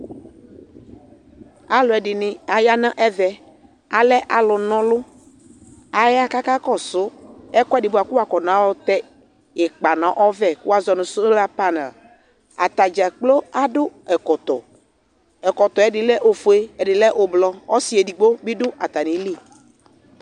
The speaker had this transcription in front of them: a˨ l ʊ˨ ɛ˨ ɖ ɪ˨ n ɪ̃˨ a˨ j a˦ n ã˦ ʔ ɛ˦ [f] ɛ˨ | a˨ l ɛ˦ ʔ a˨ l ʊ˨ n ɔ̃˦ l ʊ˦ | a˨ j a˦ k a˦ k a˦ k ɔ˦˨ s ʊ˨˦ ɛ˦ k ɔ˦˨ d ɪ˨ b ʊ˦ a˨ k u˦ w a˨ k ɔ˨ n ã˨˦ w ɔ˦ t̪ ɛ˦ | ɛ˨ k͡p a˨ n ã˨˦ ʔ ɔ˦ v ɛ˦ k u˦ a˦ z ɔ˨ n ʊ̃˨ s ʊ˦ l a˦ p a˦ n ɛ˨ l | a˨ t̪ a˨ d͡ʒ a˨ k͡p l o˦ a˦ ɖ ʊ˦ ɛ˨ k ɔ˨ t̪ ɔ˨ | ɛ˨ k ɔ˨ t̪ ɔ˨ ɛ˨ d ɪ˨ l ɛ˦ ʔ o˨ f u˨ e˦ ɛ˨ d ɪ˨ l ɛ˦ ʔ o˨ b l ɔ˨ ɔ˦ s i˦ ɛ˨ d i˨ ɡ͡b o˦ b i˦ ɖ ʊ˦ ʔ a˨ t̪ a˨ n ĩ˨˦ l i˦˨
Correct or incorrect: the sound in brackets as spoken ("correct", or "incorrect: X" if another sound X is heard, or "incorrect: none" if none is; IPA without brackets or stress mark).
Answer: incorrect: v